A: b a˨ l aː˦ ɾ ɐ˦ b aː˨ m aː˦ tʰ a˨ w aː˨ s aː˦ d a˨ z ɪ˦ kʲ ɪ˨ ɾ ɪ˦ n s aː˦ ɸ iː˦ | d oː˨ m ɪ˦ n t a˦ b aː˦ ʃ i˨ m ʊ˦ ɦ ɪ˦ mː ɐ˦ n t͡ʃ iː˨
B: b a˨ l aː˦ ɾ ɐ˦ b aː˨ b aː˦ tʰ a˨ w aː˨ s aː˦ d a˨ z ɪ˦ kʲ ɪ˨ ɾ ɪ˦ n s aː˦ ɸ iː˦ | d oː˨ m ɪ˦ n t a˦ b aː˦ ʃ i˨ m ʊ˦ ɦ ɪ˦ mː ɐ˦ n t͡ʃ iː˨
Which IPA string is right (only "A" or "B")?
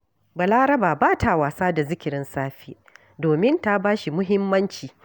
B